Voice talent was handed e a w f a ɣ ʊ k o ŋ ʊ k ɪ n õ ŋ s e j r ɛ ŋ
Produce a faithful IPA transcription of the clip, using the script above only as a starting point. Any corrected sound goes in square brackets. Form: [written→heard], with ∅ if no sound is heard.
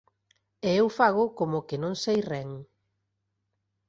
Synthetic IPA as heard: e [a→e] w f a ɣ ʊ k o [ŋ→m] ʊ k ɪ n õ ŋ s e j r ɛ ŋ